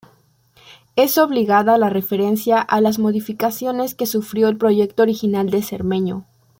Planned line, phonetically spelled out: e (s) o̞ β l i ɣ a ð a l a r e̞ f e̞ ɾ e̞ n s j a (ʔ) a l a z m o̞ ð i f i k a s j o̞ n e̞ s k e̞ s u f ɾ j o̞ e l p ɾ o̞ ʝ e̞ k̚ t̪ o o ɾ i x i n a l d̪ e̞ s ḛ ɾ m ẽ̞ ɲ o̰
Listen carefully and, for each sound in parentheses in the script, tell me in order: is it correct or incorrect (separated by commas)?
correct, correct